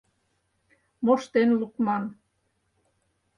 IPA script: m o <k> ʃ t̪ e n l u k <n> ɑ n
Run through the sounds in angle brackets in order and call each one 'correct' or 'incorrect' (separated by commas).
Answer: incorrect, incorrect